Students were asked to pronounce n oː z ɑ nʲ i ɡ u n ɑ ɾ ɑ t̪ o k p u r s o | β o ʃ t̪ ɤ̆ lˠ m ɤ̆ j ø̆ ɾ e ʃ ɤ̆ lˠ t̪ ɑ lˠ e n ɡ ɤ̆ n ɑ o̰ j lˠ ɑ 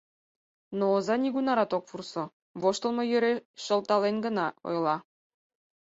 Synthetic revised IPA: n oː z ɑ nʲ i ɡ u n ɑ ɾ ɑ t̪ o k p u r s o | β o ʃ t̪ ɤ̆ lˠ m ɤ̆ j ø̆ ɾ e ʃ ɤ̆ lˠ t̪ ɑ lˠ e n ɡ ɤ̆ n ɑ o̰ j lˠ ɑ